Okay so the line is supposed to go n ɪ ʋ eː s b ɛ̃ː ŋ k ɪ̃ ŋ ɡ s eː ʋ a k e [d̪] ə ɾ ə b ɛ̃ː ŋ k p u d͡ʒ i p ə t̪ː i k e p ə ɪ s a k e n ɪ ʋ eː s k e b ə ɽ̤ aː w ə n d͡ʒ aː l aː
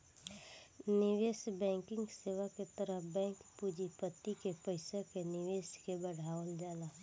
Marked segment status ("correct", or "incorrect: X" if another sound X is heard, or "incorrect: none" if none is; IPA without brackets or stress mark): incorrect: t̪